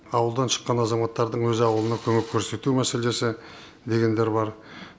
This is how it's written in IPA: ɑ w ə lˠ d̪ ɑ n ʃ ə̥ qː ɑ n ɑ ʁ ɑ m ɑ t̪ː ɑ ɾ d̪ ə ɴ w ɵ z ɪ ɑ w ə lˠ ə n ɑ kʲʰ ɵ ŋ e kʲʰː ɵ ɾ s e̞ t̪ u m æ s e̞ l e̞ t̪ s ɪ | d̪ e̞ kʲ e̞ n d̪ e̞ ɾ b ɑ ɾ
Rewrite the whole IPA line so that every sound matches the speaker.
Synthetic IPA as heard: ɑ w ə lˠ d̪ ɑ n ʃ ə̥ qː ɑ n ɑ z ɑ m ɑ t̪ː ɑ ɾ d̪ ə ɴ w ɵ z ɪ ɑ w ə lˠ ə n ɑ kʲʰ ɵ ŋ e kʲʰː ɵ ɾ s e̞ t̪ u m æ s e̞ l e̞ s ɪ | d̪ e̞ ɡʲ e̞ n d̪ e̞ ɾ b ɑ ɾ